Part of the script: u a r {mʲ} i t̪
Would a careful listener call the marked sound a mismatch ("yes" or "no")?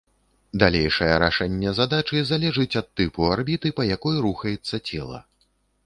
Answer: yes